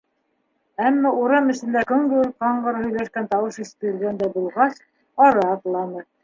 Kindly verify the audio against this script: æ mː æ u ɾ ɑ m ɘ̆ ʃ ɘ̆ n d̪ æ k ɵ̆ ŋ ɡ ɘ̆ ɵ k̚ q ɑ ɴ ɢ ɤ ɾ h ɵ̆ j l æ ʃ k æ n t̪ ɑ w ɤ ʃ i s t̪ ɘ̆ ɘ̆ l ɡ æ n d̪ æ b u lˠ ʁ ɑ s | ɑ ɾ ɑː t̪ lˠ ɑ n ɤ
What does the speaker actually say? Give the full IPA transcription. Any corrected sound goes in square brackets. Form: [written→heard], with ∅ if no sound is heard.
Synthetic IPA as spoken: æ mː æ u ɾ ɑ m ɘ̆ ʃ ɘ̆ n d̪ æ k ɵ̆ ŋ ɡ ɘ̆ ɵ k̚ q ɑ ɴ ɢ ɤ ɾ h ɵ̆ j l æ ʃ k æ n t̪ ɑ w ɤ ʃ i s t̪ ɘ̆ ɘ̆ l ɡ æ n d̪ æ b u lˠ ʁ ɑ s | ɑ ɾ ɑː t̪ lˠ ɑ n ɤ